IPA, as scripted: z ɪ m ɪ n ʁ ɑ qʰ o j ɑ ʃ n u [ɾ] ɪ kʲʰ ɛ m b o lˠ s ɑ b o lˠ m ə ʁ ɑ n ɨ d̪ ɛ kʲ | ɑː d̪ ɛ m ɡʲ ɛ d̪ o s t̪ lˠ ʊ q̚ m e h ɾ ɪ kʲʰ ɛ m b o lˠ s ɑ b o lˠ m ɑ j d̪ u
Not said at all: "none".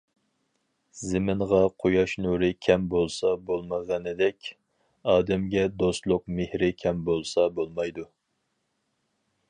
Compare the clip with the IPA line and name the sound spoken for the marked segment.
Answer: ɾ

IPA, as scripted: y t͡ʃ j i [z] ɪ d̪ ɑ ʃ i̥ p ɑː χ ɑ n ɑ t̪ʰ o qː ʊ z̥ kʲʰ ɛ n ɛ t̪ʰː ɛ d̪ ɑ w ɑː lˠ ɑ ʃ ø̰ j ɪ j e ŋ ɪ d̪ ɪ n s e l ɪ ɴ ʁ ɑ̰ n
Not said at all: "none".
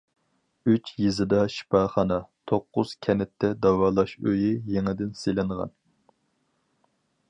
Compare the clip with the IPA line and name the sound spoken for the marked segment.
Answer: z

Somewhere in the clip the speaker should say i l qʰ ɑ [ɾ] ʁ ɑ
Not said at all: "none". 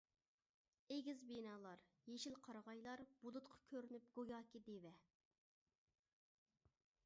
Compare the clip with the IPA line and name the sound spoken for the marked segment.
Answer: ɾ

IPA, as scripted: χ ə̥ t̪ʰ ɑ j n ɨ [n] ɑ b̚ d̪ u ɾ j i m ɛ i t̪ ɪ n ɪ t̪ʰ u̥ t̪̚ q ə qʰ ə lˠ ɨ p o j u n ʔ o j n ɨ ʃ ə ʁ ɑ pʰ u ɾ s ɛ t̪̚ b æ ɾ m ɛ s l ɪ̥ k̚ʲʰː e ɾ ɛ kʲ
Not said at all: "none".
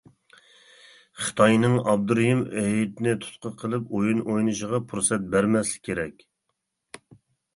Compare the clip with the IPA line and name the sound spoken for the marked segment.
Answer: ŋ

